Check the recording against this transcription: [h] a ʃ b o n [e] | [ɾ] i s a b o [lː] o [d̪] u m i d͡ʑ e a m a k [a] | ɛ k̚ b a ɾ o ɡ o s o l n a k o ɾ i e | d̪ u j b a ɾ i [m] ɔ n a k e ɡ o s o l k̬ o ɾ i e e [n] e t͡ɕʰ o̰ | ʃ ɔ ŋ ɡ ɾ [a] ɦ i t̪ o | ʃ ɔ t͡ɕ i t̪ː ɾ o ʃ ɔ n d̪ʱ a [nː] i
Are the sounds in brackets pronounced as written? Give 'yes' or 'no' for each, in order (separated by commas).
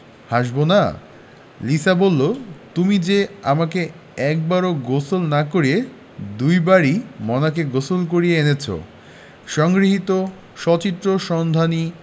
yes, no, no, yes, no, no, yes, yes, no, no